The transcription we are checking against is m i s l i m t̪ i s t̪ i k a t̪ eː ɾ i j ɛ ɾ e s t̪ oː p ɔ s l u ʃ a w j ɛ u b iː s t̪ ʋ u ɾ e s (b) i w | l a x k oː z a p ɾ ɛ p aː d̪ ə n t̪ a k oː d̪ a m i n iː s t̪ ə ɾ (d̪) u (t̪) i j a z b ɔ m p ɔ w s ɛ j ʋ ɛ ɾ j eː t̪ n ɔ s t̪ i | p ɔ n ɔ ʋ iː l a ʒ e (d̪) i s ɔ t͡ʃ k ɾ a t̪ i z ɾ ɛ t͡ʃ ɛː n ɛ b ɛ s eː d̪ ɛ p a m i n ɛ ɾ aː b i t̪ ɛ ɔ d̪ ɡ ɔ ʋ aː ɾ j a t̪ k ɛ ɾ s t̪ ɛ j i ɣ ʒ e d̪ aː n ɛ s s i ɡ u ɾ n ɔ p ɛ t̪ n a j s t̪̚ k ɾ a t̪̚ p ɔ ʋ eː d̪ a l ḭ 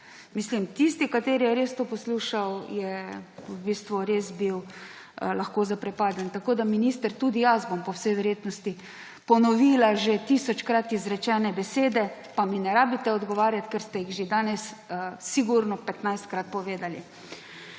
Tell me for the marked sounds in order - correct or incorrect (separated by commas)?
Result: correct, incorrect, incorrect, incorrect